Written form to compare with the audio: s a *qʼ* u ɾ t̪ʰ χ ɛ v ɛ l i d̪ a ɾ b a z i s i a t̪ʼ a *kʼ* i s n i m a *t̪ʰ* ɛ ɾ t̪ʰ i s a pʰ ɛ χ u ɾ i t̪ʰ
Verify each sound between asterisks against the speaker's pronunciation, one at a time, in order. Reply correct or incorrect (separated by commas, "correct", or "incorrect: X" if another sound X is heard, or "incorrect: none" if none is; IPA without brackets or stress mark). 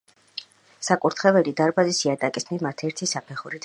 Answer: incorrect: kʼ, correct, correct